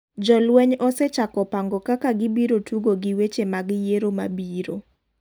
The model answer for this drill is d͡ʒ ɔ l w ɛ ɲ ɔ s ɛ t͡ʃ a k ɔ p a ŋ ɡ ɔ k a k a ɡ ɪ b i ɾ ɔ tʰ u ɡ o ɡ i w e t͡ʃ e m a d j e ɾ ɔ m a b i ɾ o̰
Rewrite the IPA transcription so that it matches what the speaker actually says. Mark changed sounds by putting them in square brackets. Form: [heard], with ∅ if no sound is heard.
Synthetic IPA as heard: d͡ʒ ɔ l w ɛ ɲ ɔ s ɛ t͡ʃ a k ɔ p a ŋ ɡ ɔ k a k a ɡ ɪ b i ɾ [o] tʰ u ɡ o ɡ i w e t͡ʃ e m a [ɡ] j e ɾ [o] m a b i ɾ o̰